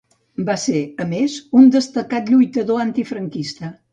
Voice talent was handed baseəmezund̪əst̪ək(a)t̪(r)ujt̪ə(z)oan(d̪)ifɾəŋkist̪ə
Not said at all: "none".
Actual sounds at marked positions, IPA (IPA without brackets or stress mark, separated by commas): a, ʎ, ð, t̪